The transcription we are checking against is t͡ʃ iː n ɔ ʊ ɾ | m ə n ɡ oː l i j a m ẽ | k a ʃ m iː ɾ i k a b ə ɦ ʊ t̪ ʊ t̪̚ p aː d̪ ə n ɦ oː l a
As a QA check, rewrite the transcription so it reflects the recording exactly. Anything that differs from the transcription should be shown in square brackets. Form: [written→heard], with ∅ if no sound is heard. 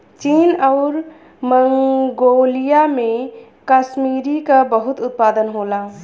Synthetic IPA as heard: t͡ʃ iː n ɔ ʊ ɾ | m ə [n→ŋ] ɡ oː l i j a m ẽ | k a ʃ m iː ɾ i k a b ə ɦ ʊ t̪ ʊ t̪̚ p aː d̪ ə n ɦ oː l a